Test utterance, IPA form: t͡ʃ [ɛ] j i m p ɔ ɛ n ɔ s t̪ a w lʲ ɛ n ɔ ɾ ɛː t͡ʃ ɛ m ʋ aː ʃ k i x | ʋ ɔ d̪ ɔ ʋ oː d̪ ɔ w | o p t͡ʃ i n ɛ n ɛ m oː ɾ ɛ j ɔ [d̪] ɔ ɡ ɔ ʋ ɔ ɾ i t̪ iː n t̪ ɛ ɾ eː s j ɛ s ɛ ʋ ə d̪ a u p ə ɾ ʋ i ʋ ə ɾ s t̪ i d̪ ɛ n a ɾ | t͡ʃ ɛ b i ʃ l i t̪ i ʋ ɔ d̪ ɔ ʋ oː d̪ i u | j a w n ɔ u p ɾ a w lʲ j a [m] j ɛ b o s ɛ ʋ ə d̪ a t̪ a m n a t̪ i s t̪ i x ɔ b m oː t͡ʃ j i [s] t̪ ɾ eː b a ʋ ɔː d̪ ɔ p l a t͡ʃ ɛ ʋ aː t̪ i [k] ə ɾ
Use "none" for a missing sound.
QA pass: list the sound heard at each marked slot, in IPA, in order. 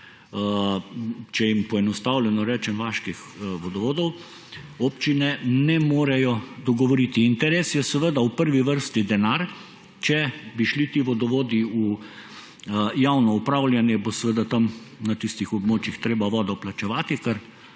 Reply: ɛ, d̪, n, x, k

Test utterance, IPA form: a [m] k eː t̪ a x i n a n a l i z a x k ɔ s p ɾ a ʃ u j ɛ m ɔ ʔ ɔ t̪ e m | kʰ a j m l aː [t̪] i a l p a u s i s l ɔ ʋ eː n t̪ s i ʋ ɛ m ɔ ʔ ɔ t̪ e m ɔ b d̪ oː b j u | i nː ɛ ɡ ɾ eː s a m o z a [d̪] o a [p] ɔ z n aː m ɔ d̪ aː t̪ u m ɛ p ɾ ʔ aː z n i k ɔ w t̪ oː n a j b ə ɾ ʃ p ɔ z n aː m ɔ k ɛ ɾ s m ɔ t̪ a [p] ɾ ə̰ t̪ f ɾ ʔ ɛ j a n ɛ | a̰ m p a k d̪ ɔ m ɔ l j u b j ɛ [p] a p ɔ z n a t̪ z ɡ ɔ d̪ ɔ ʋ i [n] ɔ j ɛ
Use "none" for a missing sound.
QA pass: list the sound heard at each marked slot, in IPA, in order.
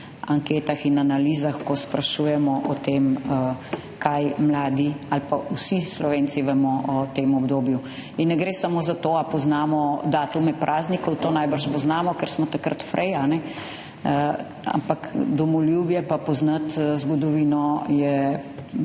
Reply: ŋ, d̪, t̪, p, k, p, n

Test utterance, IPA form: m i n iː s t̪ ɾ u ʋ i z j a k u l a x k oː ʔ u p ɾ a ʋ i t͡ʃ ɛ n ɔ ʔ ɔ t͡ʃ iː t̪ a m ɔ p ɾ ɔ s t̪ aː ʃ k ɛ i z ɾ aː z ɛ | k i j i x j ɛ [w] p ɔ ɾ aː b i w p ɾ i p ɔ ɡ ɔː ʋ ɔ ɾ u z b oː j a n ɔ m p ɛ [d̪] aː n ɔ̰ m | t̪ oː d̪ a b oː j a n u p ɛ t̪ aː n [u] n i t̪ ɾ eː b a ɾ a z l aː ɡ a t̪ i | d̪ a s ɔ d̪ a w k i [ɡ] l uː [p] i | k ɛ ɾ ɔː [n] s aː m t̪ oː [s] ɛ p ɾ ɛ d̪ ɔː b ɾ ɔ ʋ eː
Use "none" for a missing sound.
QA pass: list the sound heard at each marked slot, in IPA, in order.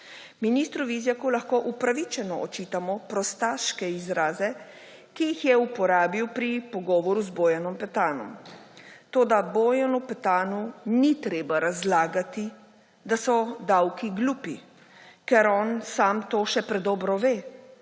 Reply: u, t̪, u, ɡ, p, n, ʃ

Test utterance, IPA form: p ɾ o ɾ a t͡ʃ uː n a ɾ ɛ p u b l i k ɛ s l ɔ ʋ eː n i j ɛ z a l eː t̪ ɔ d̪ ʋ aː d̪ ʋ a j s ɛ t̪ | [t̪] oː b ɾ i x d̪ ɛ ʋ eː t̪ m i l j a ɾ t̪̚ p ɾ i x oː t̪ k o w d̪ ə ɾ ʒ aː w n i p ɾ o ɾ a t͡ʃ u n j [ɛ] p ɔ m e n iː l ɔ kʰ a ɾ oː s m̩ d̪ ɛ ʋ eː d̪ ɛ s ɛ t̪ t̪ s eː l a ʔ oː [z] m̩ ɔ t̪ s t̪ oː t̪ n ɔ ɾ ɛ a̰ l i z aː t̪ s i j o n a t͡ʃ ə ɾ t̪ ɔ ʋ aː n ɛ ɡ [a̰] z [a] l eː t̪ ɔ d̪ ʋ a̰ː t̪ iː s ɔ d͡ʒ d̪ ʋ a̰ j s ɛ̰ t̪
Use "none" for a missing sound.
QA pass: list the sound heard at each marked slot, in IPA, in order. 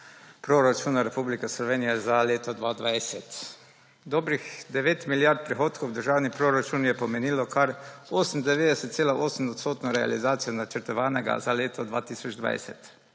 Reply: d̪, ɛ, s, a̰, a

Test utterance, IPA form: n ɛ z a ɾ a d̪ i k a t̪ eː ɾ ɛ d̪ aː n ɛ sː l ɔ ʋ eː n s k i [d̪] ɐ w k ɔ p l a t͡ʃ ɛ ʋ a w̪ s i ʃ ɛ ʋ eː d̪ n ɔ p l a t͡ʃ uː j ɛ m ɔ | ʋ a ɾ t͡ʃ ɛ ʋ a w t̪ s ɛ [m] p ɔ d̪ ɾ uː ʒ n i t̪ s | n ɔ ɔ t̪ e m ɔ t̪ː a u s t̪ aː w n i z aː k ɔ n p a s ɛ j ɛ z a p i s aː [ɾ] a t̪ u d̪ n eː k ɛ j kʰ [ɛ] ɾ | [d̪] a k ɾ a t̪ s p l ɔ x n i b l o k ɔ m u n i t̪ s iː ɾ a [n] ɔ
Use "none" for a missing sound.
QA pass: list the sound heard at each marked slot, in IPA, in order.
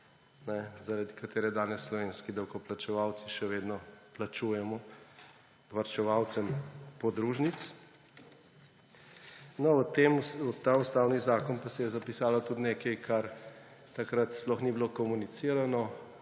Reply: d̪, m, l, a, t̪, n

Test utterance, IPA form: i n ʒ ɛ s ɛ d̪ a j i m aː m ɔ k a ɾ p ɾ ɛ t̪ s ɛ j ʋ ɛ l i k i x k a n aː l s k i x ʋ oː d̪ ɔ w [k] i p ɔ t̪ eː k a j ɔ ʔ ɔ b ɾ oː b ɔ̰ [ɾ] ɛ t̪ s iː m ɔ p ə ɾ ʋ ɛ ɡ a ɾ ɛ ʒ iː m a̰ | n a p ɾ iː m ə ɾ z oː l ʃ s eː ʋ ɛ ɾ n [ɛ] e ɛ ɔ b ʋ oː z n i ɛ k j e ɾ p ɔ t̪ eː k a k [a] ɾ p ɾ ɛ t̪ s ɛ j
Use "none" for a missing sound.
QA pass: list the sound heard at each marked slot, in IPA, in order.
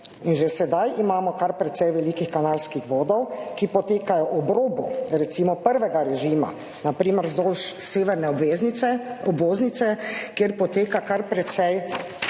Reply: k, ɾ, ɛ, a

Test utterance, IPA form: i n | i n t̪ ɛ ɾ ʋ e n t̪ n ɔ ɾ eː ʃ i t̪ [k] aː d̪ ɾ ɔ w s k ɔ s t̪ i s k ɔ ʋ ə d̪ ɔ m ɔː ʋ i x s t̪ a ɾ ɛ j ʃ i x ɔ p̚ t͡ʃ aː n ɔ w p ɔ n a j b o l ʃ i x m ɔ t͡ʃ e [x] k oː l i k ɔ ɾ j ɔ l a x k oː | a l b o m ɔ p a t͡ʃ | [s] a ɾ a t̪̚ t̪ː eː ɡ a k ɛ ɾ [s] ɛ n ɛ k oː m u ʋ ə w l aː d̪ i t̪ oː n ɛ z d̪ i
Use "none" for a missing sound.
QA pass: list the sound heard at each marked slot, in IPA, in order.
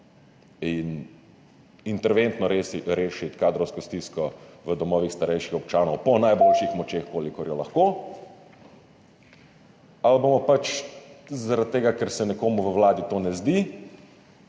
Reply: k, x, z, s

